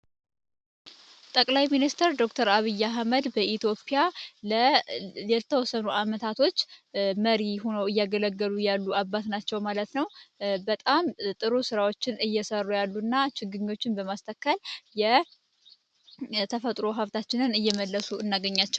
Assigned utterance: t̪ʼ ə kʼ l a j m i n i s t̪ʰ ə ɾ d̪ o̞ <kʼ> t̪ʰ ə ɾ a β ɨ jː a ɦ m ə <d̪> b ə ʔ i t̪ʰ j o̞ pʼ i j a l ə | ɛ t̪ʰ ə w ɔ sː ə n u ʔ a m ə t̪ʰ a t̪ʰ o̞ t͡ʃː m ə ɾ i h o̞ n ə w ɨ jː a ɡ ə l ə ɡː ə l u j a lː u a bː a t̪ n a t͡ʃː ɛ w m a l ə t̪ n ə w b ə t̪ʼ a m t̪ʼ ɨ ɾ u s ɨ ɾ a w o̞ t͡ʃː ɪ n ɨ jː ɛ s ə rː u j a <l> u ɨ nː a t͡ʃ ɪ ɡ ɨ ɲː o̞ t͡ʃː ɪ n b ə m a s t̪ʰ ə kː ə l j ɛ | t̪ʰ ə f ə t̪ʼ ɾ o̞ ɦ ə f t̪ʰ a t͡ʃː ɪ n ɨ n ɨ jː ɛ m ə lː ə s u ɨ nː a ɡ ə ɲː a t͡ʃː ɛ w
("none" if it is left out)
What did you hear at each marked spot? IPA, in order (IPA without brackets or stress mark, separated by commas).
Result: k, d̪, lː